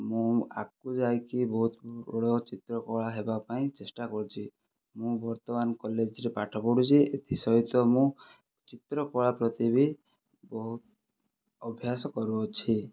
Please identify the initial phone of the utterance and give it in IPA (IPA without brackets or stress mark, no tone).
m